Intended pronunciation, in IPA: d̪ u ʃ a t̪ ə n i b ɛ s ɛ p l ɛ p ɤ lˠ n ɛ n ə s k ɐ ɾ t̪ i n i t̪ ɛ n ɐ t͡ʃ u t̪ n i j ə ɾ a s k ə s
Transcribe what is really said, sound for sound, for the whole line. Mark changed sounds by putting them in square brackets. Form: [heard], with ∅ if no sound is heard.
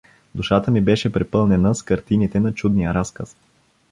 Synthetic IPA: d̪ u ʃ a t̪ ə [m] i b ɛ [ʃ] ɛ p [ɾ] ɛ p ɤ lˠ n ɛ n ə s k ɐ ɾ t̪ i n i t̪ ɛ n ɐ t͡ʃ u [d̪] n i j ə ɾ a s k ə s